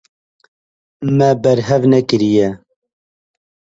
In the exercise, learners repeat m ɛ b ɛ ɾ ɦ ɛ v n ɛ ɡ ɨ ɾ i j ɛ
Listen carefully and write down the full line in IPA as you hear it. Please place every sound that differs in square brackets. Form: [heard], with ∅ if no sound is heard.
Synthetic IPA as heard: m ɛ b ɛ ɾ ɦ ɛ v n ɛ [k] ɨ ɾ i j ɛ